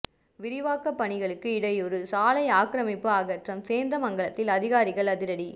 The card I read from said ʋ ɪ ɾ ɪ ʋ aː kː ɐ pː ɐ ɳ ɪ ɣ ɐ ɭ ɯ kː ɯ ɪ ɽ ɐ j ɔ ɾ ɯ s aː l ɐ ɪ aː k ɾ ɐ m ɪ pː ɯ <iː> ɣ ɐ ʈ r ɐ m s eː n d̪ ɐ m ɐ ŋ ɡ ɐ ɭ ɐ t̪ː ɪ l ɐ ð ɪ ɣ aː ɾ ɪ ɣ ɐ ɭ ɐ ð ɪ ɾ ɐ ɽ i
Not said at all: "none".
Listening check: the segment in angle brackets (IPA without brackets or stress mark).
aː